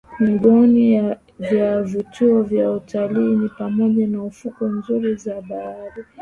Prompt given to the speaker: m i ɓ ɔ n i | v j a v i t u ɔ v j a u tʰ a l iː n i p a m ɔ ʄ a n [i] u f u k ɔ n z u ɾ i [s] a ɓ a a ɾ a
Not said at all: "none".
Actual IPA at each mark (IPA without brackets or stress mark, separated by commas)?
a, z